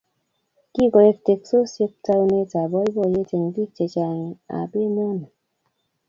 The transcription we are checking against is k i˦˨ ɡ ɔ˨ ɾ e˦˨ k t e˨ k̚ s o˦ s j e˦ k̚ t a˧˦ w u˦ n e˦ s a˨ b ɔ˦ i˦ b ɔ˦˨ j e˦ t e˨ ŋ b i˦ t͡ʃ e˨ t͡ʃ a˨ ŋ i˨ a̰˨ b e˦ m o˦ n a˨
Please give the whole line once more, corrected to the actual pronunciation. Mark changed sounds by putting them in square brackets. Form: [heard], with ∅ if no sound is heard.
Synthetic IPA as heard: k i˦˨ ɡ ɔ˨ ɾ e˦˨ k t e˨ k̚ s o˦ s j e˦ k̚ t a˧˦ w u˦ n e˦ [t] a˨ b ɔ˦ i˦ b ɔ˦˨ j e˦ t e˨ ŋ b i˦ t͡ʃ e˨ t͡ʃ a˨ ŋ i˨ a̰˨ b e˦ m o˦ n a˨